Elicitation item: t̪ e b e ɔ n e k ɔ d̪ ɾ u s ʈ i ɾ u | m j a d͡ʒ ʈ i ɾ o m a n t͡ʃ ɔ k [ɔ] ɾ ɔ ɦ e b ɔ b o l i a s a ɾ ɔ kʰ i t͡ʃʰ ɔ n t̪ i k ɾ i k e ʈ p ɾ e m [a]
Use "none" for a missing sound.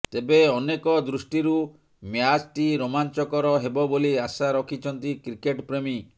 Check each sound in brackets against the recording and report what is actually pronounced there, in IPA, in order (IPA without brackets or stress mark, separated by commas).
ɔ, i